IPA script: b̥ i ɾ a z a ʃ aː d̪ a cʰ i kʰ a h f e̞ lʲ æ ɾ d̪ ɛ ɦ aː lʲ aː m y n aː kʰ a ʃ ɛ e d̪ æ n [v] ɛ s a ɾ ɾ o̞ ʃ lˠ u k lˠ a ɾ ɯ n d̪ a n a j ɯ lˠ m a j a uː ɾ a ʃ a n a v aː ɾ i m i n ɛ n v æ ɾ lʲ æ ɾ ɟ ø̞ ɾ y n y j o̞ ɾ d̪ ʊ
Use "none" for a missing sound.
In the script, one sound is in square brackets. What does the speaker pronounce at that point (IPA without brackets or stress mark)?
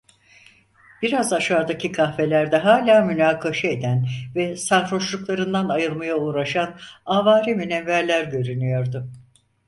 v